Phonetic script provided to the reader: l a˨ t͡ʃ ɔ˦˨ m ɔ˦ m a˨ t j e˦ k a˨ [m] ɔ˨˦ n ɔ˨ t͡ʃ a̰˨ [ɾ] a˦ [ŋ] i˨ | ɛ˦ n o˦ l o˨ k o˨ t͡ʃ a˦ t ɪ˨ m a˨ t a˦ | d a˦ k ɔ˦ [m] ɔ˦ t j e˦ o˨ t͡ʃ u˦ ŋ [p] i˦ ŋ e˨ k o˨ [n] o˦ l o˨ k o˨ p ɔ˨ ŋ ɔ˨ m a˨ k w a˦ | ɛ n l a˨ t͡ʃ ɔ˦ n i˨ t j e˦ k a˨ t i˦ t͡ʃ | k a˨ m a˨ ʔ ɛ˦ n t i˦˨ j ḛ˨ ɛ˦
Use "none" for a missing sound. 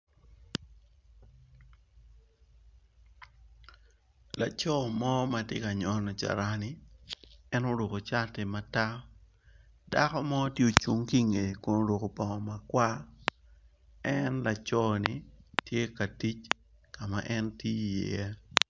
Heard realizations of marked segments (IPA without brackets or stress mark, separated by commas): ɲ, ɾ, n, m, k, n